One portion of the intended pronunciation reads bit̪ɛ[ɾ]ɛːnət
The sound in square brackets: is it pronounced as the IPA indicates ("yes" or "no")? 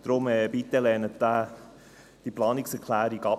no